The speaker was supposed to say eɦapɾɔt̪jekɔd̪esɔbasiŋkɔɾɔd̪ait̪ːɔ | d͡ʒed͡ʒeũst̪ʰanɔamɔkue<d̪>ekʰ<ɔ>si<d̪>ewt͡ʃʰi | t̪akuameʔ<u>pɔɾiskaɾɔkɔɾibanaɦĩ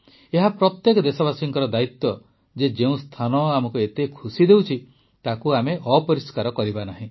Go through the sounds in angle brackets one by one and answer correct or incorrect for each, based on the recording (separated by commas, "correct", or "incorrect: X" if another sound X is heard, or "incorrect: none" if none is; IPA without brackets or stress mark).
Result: incorrect: t̪, incorrect: u, correct, incorrect: ɔ